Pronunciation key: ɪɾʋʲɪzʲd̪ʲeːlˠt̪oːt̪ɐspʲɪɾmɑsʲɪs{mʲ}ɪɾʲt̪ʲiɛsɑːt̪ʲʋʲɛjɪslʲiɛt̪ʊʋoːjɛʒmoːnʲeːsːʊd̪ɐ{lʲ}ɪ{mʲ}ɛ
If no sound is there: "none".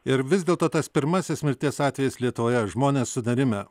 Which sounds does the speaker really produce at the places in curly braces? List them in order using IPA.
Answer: mʲ, ɾʲ, mʲ

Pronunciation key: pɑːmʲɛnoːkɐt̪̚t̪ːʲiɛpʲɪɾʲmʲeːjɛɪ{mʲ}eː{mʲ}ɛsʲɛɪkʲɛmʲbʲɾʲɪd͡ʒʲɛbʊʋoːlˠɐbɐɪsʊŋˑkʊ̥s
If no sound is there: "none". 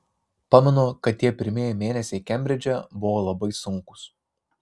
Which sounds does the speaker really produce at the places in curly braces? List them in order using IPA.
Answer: mʲ, nʲ

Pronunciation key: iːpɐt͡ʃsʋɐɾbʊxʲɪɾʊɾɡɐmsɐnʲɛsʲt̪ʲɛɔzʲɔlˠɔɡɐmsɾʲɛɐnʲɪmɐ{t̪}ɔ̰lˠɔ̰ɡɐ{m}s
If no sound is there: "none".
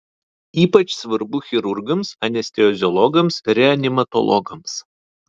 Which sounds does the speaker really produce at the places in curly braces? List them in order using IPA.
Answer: t̪, m

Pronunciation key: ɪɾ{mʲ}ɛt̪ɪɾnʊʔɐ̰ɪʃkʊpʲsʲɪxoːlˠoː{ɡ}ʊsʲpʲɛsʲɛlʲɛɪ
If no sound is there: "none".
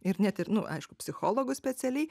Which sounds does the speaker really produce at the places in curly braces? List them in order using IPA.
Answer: nʲ, ɡ

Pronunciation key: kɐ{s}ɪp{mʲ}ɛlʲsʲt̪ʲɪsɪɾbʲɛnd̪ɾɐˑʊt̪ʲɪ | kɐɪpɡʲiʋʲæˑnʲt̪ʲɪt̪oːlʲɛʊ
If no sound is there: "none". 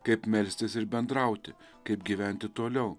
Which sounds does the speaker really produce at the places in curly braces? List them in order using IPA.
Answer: none, mʲ

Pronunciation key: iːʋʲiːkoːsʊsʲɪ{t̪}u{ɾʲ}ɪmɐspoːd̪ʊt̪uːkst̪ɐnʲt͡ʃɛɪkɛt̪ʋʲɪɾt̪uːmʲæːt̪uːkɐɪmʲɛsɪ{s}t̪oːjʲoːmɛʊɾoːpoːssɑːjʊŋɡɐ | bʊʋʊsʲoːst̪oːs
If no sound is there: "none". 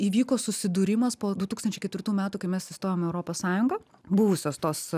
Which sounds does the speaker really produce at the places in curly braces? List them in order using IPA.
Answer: d̪, ɾʲ, s

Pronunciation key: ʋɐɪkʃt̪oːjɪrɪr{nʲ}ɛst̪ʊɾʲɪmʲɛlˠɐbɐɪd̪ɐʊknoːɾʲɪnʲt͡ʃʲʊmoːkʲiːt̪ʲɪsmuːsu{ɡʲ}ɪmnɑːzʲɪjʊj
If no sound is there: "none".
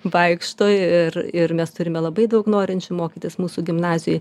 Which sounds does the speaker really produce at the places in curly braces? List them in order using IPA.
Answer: mʲ, ɡʲ

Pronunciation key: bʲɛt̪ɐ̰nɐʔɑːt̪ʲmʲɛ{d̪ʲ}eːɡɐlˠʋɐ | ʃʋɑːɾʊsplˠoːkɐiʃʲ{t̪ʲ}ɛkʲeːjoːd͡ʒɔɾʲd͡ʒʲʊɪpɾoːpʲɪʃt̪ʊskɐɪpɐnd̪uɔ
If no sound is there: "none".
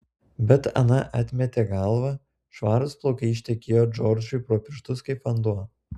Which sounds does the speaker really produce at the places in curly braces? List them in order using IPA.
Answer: t̪ʲ, t̪ʲ

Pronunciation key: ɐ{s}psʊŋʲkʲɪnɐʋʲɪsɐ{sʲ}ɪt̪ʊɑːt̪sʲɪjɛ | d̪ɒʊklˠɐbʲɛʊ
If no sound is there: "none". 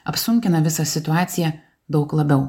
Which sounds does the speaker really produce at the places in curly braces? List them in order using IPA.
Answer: none, sʲ

